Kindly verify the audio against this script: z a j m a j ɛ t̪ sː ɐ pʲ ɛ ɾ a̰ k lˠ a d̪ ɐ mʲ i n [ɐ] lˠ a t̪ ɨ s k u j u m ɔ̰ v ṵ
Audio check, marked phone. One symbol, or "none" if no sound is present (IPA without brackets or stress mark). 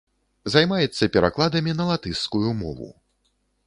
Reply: ɐ